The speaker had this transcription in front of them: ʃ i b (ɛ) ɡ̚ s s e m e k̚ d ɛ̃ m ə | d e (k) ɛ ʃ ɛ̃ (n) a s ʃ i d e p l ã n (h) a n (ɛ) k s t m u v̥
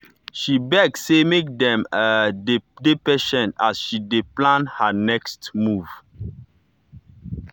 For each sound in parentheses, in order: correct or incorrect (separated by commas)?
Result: correct, incorrect, correct, correct, correct